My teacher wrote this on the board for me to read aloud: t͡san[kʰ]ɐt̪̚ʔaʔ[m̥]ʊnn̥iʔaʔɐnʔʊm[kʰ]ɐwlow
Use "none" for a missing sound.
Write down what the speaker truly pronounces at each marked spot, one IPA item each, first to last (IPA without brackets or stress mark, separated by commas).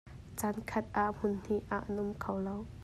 kʰ, m̥, kʰ